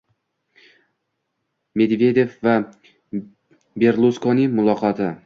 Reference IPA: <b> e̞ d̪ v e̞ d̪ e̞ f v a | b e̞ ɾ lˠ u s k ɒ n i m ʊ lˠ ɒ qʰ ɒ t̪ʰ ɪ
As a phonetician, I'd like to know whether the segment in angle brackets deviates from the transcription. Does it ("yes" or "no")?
yes